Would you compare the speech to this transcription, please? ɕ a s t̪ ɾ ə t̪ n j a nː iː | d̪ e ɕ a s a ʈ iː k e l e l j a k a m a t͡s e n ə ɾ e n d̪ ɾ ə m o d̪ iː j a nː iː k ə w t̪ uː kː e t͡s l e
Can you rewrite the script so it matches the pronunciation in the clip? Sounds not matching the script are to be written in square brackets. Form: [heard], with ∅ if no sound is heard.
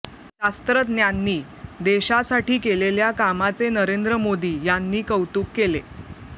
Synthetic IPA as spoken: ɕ a s t̪ ɾ ə t̪ n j a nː iː | d̪ e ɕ a s a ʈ iː k e l e l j a k a m a t͡s e n ə ɾ e n d̪ ɾ ə m o d̪ iː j a nː iː k ə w t̪ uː kː e [∅] l e